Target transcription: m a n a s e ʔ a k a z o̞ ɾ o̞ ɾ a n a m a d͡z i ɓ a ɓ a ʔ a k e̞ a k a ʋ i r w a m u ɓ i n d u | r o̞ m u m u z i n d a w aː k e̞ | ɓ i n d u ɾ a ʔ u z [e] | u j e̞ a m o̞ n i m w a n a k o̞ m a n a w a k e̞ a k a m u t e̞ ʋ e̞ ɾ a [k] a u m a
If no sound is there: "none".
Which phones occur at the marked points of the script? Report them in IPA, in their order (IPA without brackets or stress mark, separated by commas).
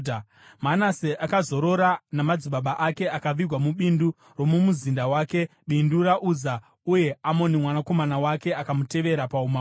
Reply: a, p